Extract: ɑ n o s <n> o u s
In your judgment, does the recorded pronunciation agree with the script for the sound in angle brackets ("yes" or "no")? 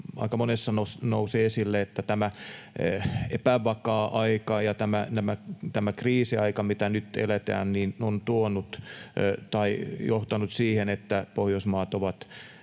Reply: yes